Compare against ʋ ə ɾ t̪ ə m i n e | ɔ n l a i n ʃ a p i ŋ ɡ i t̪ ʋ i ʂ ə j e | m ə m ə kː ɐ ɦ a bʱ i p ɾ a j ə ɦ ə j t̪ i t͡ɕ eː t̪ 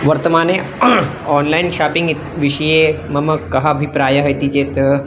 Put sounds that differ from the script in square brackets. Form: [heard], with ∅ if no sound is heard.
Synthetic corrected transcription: ʋ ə ɾ t̪ ə m [a] n e | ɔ n l a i n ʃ a p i ŋ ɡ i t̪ ʋ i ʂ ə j e | m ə m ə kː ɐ ɦ a bʱ i p ɾ a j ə ɦ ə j t̪ i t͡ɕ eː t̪